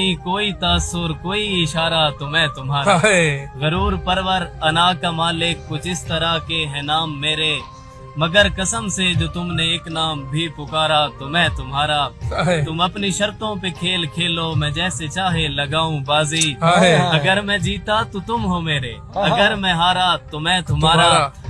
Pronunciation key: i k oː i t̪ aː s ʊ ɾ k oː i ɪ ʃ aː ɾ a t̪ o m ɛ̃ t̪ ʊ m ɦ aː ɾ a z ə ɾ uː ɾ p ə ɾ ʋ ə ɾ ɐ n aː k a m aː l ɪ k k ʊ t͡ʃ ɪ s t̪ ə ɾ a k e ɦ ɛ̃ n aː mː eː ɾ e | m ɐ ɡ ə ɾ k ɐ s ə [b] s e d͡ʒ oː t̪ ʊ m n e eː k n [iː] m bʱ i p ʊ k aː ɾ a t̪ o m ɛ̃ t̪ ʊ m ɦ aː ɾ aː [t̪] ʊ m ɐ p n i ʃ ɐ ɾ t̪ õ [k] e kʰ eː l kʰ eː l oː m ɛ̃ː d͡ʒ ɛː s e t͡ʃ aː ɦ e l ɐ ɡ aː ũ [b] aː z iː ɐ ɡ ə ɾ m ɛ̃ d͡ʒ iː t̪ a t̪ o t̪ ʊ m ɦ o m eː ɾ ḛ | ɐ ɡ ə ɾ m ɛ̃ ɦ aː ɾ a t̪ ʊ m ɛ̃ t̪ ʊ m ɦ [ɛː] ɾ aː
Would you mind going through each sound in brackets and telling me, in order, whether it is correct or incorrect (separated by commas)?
incorrect, incorrect, correct, incorrect, correct, incorrect